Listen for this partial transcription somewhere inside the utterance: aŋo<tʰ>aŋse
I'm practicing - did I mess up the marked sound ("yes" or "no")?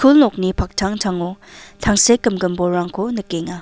no